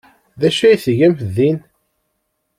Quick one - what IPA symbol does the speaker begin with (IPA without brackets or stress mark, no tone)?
ð